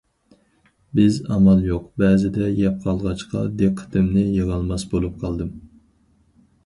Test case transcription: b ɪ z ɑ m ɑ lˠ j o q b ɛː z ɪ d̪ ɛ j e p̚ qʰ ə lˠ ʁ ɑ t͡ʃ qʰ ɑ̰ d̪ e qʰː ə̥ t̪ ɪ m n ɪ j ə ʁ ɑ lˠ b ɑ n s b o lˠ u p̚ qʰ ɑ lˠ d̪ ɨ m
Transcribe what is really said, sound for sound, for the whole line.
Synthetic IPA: b ɪ z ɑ m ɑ lˠ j o q b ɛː z ɪ d̪ ɛ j ɛ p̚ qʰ ɑ lˠ ʁ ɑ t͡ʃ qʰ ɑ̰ d̪ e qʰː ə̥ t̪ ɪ m n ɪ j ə ʁ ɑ lˠ m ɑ s b o lˠ u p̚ qʰ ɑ lˠ d̪ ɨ m